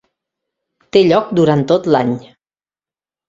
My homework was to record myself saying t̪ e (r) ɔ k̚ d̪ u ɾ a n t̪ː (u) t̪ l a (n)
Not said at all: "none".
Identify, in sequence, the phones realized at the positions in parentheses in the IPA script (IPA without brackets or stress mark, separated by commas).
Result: ʎ, o, ɲ